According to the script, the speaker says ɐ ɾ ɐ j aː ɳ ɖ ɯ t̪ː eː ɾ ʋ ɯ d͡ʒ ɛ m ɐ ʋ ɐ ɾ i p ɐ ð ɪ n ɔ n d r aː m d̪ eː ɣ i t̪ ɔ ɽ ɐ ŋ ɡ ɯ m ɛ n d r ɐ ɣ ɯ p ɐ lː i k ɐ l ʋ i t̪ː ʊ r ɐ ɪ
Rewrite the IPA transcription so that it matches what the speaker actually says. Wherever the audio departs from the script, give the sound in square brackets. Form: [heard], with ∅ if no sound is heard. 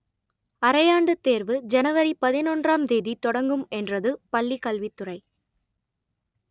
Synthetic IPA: ɐ ɾ ɐ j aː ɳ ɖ ɯ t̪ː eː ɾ ʋ ɯ d͡ʒ ɛ [n] ɐ ʋ ɐ ɾ i p ɐ ð ɪ n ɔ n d r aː m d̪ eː [ð] i t̪ ɔ ɽ ɐ ŋ ɡ ɯ m ɛ n d r ɐ [ð] ɯ p ɐ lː i k ɐ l ʋ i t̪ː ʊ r ɐ ɪ